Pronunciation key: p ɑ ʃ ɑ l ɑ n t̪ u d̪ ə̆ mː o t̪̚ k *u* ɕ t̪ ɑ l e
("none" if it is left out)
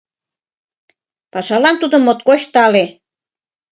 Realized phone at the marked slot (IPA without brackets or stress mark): o